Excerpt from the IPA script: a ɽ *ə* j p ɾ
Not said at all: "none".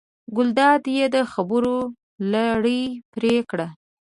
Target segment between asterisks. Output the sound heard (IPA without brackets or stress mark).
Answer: ə